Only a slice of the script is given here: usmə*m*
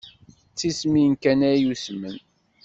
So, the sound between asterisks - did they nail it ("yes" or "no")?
no